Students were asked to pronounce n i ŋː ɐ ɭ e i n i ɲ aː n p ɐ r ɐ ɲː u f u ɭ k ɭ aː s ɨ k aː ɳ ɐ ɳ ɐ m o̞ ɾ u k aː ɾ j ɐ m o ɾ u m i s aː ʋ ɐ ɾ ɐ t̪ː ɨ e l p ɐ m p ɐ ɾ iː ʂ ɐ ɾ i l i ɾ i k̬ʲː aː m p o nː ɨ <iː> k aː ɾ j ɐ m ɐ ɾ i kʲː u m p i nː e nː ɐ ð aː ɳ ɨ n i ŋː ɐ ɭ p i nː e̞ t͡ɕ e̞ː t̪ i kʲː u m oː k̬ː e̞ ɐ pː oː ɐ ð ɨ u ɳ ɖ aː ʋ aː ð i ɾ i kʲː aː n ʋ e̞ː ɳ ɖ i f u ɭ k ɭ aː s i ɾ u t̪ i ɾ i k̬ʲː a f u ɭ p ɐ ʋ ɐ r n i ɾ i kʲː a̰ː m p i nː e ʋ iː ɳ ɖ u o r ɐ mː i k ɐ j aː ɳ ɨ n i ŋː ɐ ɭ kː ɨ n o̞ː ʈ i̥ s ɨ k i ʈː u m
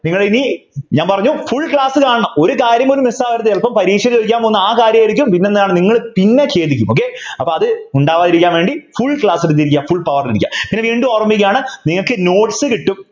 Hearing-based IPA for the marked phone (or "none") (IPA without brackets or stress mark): aː